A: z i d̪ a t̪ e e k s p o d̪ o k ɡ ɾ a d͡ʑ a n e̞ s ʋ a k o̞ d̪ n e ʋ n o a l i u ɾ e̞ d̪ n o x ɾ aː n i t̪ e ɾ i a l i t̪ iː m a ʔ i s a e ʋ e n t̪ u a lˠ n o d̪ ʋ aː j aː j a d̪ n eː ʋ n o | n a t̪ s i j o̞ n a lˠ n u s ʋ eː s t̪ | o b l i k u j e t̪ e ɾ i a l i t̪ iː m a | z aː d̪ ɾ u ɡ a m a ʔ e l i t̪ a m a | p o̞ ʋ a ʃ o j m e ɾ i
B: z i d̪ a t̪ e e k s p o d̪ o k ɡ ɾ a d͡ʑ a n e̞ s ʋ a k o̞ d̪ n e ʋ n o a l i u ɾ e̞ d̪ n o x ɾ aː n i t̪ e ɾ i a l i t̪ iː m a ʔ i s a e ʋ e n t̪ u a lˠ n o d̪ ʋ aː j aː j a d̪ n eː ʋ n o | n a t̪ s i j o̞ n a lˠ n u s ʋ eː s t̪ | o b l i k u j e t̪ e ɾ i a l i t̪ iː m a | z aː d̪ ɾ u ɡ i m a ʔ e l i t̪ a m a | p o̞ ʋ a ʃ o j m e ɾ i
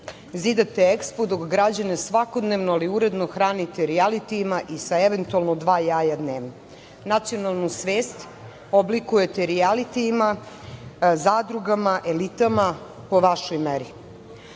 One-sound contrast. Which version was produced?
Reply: A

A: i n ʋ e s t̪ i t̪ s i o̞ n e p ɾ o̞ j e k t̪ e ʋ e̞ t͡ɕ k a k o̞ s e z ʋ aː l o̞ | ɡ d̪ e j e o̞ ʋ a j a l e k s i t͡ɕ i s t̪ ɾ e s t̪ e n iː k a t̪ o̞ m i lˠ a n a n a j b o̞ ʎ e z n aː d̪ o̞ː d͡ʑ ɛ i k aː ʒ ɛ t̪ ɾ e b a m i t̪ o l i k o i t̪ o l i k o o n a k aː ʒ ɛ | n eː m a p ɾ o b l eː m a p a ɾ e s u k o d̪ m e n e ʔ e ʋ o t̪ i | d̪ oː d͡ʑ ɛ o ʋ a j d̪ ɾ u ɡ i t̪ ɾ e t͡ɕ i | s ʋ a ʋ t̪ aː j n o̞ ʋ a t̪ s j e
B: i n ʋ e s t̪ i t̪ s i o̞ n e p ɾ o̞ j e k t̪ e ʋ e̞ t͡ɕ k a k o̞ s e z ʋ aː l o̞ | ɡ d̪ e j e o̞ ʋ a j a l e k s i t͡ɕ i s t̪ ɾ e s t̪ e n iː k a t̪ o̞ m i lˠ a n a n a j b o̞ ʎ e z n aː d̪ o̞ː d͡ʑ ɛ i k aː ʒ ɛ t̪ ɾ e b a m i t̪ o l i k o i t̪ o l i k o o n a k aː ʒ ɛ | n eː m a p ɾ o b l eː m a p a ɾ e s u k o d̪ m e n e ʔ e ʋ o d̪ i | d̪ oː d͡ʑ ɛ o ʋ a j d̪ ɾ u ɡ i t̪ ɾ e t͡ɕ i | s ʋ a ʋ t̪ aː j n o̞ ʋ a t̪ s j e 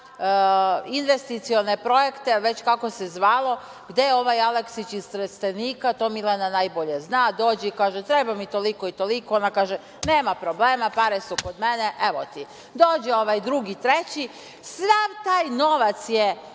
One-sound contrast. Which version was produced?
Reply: A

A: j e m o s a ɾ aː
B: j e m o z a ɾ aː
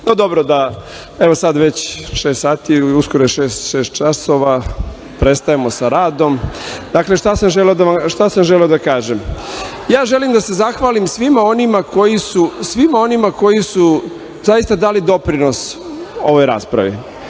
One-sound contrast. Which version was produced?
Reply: A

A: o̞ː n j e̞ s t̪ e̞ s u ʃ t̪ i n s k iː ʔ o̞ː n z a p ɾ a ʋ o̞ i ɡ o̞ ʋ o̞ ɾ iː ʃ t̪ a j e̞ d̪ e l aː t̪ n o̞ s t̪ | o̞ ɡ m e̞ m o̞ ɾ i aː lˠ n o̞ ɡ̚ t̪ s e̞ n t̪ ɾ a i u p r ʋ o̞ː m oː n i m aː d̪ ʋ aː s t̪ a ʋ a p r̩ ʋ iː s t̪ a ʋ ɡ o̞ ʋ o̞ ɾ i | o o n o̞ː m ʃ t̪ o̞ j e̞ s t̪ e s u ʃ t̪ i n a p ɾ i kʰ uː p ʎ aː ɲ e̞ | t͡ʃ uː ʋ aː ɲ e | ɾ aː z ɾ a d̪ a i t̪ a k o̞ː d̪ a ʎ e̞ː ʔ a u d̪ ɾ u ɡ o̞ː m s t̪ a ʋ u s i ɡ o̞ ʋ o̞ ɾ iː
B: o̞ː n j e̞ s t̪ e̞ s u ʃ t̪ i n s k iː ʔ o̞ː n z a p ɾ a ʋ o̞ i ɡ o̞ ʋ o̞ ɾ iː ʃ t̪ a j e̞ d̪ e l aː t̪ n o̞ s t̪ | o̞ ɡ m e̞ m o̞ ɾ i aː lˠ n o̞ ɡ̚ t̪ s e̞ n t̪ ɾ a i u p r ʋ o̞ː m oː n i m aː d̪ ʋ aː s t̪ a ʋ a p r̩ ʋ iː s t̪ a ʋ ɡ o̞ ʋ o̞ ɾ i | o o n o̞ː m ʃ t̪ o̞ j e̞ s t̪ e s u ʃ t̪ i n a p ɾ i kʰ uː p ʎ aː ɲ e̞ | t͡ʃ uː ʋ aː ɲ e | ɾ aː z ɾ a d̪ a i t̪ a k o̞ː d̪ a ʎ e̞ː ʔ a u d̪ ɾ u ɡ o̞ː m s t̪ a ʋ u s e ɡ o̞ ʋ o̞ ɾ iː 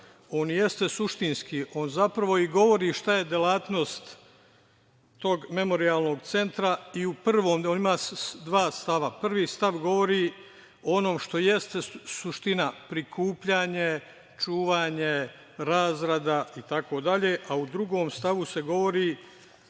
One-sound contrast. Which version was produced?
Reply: B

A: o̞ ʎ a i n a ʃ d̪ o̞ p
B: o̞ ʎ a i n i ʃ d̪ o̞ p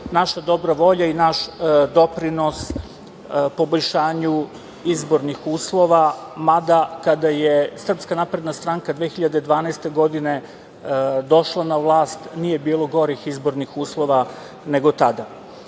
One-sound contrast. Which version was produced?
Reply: A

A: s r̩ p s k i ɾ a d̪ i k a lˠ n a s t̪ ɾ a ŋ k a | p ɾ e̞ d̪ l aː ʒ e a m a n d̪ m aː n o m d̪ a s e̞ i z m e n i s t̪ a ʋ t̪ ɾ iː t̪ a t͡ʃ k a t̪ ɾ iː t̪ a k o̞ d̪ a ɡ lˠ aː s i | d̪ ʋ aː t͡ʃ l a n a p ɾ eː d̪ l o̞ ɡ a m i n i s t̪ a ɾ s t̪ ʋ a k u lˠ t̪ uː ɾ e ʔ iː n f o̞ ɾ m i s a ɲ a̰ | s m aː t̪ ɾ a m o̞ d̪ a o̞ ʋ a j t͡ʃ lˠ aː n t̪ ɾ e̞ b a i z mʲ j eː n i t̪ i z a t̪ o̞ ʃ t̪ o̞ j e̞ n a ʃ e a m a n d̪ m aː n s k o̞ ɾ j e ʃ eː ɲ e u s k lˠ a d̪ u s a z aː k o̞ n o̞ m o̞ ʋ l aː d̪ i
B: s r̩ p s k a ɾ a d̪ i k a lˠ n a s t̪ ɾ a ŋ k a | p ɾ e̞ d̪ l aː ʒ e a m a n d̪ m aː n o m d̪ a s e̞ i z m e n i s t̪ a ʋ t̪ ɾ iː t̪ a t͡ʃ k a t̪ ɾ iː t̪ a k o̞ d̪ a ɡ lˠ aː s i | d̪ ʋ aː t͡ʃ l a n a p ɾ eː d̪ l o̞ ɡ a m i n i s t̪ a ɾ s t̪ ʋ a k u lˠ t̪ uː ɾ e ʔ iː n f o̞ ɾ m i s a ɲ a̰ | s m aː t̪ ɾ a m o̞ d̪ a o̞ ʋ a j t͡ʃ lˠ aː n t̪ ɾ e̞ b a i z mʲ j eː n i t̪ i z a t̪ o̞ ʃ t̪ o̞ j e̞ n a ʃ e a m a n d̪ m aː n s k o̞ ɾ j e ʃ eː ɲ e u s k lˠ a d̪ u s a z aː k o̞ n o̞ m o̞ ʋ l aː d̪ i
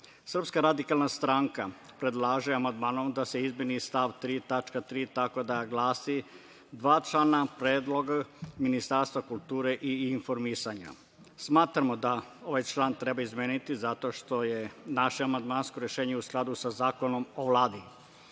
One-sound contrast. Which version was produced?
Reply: B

